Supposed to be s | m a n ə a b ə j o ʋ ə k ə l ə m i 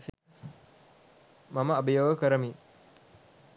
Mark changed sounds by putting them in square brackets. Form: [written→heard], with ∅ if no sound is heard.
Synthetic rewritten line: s | m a [n→m] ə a b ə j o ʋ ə k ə [l→ɾ] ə m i

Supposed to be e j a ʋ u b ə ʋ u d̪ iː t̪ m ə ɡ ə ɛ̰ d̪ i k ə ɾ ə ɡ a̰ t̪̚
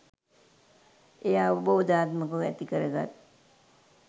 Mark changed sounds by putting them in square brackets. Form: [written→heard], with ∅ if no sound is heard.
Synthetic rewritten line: e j a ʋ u b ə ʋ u d̪ [iː→aː] t̪ m ə [ɡ→k] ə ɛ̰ [d̪→t̪] i k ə ɾ ə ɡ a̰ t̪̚

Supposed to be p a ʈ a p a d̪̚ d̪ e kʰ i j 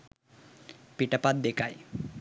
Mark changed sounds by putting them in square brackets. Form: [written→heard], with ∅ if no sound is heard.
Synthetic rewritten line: p [a→i] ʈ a p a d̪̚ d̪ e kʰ [i→a] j

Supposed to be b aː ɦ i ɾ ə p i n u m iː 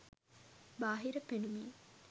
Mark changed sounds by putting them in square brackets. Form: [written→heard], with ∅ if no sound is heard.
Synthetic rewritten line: b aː ɦ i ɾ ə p [i→e] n u m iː

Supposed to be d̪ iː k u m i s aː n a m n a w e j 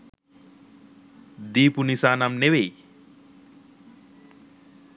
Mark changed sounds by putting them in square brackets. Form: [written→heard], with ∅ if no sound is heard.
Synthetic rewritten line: d̪ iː [k→p] u [m→n] i s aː n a m n [a→e] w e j

